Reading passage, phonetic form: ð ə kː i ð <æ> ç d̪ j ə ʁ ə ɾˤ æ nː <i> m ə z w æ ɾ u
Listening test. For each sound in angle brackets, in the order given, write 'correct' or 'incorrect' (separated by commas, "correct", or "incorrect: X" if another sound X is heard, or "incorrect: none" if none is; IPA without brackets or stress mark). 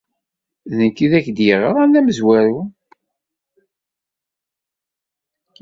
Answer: correct, incorrect: æ